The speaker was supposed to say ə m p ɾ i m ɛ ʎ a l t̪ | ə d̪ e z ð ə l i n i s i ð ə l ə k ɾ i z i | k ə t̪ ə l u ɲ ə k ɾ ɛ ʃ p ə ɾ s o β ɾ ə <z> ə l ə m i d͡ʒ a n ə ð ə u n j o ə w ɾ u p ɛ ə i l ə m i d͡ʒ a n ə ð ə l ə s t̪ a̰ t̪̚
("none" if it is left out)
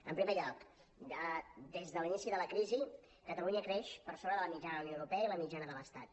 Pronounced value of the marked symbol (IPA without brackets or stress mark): ð